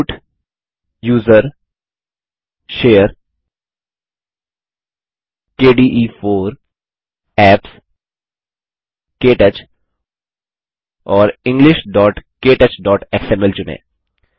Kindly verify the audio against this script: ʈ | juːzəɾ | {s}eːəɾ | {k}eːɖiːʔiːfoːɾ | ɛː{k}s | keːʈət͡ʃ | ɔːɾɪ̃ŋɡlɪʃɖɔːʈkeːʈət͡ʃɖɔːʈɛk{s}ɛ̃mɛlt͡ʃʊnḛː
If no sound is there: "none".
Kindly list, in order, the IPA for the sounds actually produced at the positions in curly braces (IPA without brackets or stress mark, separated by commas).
ʃ, k, p, s